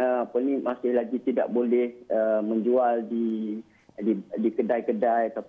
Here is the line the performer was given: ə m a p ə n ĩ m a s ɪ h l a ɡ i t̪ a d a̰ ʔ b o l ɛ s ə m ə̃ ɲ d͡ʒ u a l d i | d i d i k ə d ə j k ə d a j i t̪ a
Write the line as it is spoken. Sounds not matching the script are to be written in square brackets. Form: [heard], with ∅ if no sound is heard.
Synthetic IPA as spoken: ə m a p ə n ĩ m a s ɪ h l a ɡ i t̪ [i] d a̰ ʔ b o l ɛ [h] ə m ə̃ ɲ d͡ʒ u a l d i | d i d i k ə d [a] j k ə d a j [a] t̪ a